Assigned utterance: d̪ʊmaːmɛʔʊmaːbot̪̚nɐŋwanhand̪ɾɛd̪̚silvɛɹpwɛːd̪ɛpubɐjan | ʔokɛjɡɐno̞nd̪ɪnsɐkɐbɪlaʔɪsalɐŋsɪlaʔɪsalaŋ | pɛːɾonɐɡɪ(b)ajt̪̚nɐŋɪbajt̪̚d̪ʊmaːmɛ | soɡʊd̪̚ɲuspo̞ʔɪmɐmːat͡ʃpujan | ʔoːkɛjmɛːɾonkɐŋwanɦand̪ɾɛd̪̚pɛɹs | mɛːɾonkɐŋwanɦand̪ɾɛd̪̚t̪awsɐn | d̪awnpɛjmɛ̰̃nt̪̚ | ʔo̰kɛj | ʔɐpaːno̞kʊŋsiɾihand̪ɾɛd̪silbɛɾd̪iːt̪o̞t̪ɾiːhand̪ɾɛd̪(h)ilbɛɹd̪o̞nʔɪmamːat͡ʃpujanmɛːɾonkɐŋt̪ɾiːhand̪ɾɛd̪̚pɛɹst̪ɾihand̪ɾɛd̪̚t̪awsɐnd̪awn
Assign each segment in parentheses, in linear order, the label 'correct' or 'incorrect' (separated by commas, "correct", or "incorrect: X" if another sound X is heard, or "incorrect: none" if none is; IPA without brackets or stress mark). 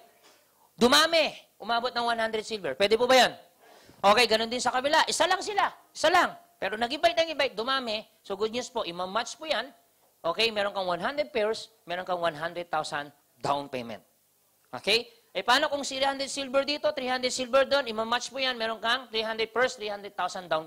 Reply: correct, incorrect: s